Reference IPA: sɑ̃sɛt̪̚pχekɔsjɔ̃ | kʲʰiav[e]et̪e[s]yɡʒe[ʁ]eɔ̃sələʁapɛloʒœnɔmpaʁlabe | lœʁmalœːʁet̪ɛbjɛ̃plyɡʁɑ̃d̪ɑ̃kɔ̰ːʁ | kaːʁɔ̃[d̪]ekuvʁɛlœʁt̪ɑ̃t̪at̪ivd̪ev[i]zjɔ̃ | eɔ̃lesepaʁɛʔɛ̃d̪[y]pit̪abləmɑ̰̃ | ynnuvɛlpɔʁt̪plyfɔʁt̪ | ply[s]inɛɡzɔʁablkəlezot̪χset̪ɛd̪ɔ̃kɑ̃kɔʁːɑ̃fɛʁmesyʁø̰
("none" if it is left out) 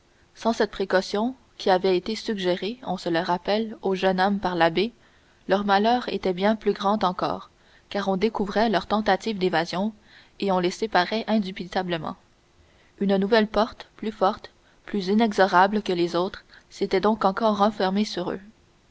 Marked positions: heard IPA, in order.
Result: ɛ, s, ʁ, d̪, a, y, z

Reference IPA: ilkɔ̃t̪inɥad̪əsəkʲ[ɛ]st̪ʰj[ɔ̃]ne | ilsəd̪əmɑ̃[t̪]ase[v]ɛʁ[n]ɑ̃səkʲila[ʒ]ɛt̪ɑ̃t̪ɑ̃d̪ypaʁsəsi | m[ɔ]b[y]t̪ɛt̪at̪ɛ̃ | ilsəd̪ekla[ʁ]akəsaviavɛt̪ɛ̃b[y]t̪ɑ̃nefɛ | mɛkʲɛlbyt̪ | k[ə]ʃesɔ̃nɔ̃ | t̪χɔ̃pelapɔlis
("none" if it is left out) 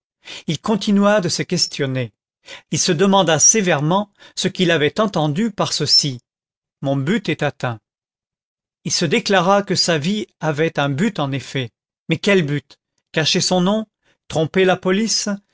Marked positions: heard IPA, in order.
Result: ɛ, ɔ, d̪, v, m, v, ɔ̃, y, ʁ, y, a

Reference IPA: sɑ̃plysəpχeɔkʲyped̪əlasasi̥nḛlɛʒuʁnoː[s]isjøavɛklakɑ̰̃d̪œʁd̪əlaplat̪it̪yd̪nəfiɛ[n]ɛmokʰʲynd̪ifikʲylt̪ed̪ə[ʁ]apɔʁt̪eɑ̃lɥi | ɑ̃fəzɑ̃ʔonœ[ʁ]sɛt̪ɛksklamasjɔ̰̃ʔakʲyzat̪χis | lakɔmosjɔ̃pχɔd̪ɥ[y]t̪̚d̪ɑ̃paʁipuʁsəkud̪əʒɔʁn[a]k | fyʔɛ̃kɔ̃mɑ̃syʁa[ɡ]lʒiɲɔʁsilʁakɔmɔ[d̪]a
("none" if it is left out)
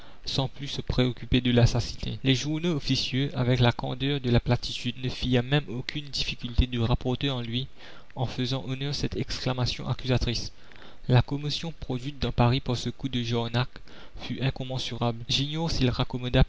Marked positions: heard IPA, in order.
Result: f, m, ʁ, ʁ, i, a, b, d̪

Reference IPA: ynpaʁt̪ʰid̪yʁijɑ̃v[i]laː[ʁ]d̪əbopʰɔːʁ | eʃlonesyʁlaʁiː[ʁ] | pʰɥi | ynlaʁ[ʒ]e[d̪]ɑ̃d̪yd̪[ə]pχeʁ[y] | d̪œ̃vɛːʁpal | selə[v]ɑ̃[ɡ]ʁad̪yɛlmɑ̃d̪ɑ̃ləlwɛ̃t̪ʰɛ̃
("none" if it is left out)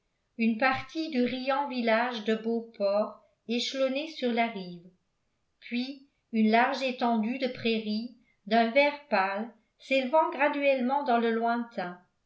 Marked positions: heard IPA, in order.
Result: i, ʒ, v, ʒ, t̪, ə, i, v, ɡ

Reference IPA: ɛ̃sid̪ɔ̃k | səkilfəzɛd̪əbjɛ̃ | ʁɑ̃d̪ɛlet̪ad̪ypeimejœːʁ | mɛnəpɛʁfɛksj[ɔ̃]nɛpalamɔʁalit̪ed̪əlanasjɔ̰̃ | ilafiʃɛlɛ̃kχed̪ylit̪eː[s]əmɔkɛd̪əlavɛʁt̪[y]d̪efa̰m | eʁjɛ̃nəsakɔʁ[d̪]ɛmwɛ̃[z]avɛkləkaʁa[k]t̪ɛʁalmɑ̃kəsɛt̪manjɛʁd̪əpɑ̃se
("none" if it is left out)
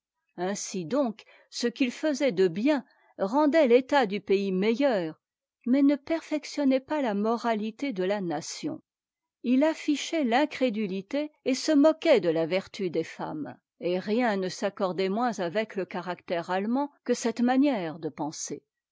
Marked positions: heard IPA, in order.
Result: ɔ, s, y, d̪, z, k

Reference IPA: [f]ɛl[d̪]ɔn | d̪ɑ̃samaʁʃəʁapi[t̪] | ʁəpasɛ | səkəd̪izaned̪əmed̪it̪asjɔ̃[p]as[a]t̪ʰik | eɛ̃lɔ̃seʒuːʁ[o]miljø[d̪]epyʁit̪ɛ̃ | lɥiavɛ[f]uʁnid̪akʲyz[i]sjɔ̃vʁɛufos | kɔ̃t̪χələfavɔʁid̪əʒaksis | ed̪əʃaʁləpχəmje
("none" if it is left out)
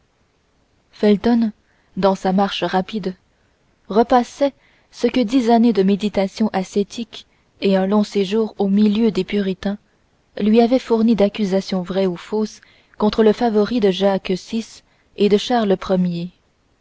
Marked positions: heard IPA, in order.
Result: f, t̪, d̪, ʔ, e, o, d̪, f, a

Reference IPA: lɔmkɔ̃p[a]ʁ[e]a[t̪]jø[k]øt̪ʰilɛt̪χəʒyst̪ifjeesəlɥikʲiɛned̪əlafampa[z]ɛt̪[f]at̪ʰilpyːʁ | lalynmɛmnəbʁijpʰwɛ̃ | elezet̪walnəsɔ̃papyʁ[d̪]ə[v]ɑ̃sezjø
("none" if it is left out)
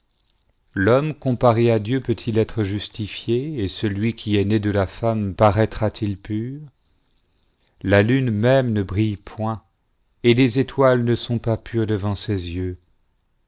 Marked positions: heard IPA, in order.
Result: a, e, d̪, p, ʁ, χ, d̪, v

